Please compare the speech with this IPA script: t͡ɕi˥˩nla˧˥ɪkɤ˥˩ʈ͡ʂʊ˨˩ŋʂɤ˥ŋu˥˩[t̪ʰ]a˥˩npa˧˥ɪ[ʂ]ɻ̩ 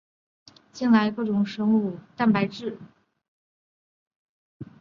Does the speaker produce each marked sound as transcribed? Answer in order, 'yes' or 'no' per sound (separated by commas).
no, no